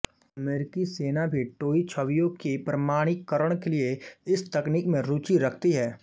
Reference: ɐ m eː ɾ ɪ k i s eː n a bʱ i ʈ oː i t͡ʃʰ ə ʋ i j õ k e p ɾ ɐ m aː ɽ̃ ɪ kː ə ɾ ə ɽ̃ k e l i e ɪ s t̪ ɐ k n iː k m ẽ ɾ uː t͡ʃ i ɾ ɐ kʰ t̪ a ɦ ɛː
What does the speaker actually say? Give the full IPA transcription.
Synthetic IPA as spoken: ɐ m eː ɾ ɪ k i s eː n a bʱ i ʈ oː i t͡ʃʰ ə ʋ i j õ k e p ɾ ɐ m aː ɽ̃ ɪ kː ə ɾ ə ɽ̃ k e l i e ɪ s t̪ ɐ k n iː k m ẽ ɾ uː t͡ʃ i ɾ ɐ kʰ t̪ i ɦ ɛː